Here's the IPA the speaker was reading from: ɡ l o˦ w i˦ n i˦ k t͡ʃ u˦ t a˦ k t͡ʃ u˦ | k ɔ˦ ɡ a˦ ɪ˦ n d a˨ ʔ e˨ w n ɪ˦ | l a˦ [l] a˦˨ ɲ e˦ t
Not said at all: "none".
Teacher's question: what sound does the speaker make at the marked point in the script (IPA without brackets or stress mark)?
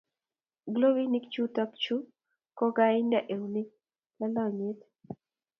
l